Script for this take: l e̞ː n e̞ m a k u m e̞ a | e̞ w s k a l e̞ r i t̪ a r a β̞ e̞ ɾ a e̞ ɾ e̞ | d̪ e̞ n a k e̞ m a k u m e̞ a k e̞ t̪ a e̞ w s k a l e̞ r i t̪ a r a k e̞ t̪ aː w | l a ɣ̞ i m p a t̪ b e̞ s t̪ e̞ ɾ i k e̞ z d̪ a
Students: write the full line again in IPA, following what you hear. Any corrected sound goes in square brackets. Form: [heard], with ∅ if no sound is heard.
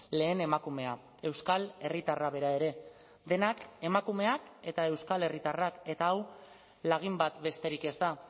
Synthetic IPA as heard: l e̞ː n e̞ m a k u m e̞ a | e̞ w s k a l e̞ r i t̪ a r a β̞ e̞ ɾ a e̞ ɾ e̞ | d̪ e̞ n a k e̞ m a k u m e̞ a k e̞ t̪ a e̞ w s k a l e̞ r i t̪ a r a k e̞ t̪ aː w | l a ɣ̞ i m [b] a t̪ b e̞ s t̪ e̞ ɾ i k e̞ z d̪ a